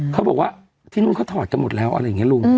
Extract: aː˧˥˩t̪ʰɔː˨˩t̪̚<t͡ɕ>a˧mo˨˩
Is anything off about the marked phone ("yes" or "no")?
no